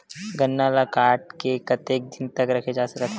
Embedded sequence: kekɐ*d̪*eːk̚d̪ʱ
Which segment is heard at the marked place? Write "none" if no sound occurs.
t̪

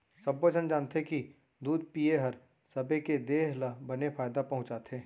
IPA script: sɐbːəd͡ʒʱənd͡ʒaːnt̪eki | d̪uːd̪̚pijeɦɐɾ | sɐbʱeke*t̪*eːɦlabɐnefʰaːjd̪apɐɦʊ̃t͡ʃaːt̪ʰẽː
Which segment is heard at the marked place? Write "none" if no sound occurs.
d̪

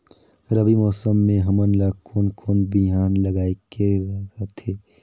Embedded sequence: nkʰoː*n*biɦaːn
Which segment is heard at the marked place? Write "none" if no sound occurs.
n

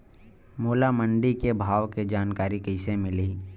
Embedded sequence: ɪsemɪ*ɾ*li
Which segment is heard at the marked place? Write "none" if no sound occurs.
none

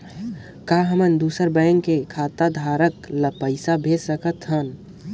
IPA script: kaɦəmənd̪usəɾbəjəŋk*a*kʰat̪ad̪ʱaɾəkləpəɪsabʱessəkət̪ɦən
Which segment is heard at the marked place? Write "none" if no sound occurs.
e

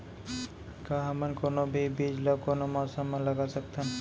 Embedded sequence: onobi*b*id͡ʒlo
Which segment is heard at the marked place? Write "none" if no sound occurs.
b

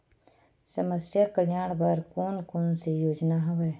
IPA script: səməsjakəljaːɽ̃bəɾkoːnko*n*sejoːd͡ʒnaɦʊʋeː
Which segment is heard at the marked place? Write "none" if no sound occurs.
n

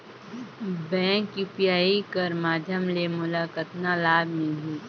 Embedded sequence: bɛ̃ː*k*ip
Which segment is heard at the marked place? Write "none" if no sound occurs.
k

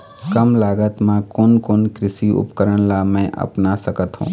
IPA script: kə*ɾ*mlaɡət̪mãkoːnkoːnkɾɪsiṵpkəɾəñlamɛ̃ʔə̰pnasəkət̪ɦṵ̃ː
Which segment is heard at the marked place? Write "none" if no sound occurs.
none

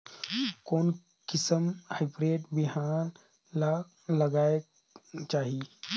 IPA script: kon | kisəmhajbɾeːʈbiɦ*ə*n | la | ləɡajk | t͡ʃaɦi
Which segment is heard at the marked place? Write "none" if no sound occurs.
a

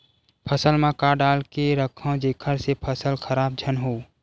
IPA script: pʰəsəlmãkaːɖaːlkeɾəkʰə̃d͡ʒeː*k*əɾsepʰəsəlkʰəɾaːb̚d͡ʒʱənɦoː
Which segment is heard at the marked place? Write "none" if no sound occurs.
kʰ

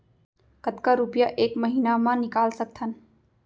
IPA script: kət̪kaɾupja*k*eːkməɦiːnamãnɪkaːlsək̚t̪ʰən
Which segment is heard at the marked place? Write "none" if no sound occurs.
ʔ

